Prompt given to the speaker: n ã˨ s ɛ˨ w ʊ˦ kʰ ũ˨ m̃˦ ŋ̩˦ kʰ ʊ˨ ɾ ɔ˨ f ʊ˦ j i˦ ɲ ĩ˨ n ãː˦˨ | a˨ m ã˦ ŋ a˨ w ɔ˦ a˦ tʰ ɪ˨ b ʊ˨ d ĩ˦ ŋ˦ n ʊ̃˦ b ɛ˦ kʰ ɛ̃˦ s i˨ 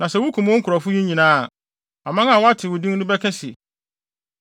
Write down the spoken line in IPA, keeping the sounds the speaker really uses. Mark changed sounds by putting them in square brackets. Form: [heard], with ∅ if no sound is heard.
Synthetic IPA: n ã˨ s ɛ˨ w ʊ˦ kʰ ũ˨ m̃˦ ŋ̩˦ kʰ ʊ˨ ɾ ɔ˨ f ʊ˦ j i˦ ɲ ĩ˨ n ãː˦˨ | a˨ m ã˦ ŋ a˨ w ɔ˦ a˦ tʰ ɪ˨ [w] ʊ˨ d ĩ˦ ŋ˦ n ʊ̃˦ b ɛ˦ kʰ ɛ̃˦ s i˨